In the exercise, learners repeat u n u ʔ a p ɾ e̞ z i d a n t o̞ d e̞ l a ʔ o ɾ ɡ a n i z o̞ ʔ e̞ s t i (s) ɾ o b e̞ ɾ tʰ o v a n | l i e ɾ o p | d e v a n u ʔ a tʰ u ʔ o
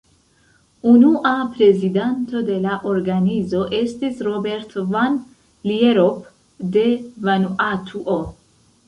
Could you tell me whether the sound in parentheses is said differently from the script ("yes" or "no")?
no